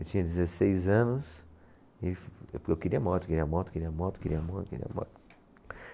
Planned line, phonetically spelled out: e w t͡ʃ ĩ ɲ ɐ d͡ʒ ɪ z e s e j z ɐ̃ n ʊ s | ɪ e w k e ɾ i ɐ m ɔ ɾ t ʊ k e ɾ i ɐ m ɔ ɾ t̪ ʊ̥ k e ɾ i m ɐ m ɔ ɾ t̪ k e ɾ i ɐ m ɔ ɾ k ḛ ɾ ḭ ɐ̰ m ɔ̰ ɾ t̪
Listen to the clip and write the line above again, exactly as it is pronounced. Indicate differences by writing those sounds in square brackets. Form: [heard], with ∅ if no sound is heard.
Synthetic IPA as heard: e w t͡ʃ ĩ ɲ ɐ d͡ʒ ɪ z e s e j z ɐ̃ n ʊ s | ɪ e w k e ɾ i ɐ m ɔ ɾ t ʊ k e ɾ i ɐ m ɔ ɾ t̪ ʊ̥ k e ɾ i [∅] ɐ m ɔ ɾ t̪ k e ɾ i ɐ m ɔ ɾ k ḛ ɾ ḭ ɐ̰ m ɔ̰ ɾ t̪